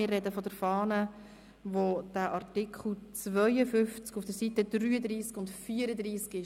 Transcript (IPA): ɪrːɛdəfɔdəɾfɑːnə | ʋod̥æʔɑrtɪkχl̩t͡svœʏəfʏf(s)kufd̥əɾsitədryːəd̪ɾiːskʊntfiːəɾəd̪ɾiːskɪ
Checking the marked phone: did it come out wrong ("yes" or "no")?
yes